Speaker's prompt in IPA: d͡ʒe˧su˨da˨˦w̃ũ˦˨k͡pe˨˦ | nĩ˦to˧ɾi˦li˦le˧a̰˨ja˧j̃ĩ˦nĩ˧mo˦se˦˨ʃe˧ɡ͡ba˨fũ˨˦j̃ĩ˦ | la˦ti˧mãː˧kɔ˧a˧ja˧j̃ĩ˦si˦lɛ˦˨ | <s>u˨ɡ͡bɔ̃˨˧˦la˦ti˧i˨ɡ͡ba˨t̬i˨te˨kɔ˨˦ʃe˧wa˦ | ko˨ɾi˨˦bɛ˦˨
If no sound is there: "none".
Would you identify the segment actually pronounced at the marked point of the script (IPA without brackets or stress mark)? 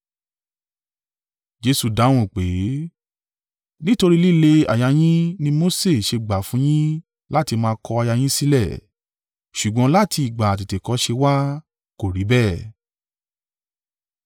ʃ